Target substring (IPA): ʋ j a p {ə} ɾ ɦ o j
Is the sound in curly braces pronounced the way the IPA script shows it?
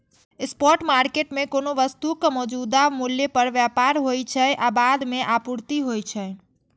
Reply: no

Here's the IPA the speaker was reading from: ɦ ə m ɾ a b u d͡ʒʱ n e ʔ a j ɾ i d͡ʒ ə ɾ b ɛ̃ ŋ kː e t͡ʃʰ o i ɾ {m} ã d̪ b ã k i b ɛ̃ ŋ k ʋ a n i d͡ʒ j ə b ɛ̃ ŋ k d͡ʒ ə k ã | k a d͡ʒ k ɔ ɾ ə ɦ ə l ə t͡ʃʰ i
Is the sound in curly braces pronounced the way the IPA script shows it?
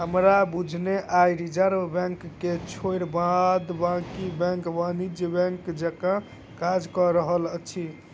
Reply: no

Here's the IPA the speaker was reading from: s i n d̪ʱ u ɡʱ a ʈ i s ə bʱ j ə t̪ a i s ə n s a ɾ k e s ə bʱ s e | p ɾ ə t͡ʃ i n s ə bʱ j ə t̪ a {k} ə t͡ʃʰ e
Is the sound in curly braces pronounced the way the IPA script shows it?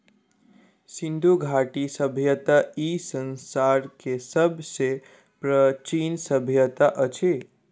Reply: no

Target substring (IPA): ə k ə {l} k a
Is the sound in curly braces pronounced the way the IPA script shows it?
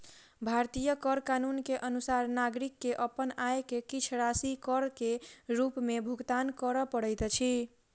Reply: no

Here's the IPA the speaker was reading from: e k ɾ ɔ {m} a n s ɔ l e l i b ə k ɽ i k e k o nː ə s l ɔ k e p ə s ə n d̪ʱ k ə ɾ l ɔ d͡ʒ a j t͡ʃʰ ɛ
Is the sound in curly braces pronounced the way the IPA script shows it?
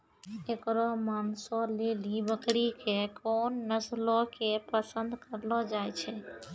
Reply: yes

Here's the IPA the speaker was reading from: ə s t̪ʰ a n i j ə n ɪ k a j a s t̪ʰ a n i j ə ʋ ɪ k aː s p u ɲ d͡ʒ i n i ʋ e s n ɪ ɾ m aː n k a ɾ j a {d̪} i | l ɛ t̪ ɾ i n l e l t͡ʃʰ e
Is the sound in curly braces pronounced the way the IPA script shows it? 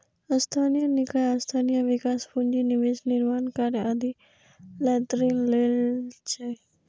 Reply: yes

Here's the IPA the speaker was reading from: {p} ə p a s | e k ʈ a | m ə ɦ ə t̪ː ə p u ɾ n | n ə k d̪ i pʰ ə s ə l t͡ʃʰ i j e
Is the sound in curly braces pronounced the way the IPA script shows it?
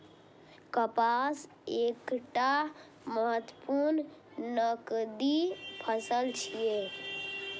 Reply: no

